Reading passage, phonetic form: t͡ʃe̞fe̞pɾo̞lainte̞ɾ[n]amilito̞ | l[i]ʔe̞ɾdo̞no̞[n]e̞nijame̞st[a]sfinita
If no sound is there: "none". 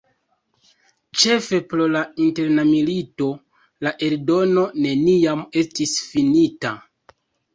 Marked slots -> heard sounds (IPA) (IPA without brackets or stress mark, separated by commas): n, a, n, i